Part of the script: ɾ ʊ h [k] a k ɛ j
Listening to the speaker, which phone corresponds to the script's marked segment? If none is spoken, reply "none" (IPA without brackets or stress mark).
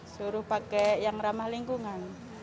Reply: p